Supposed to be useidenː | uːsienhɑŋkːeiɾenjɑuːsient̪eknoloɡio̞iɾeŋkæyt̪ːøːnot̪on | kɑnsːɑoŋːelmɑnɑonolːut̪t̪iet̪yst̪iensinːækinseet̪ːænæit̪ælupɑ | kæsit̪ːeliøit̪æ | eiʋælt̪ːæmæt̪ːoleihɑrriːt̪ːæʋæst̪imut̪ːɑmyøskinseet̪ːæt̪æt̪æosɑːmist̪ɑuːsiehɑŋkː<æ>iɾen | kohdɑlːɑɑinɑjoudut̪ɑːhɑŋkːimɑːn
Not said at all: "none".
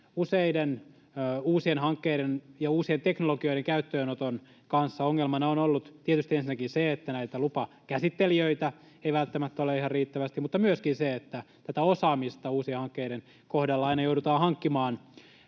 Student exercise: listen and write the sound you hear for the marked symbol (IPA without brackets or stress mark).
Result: e